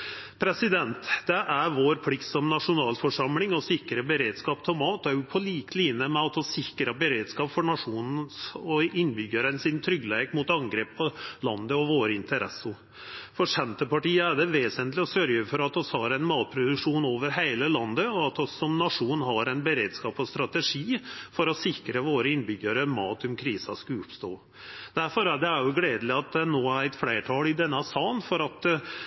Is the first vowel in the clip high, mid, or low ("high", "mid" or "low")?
mid